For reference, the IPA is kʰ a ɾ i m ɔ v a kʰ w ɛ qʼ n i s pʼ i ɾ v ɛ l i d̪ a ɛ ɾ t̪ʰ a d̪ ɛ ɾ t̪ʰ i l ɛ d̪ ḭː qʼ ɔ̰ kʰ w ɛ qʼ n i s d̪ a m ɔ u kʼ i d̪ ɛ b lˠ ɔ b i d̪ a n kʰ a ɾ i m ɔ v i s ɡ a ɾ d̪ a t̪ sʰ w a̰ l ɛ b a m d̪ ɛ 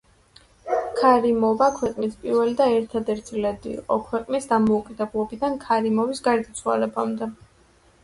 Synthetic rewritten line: kʰ a ɾ i m ɔ v a kʰ w ɛ qʼ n i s pʼ i ɾ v ɛ l i d̪ a ɛ ɾ t̪ʰ a d̪ ɛ ɾ t̪ʰ i l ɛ d̪ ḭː qʼ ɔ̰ kʰ w ɛ qʼ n i s d̪ a m ɔ u kʼ i d̪ ɛ b lˠ ɔ b i d̪ a n kʰ a ɾ i m ɔ v i s ɡ a ɾ d̪ a t̪ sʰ w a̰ l ɛ b a m d̪ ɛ